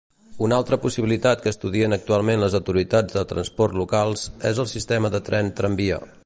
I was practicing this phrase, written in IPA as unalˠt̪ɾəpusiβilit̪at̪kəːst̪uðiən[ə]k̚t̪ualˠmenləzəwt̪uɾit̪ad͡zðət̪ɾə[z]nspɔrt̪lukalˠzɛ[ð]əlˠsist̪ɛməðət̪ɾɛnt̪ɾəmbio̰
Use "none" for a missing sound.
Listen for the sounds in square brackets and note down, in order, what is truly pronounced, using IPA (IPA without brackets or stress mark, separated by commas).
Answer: ə, none, z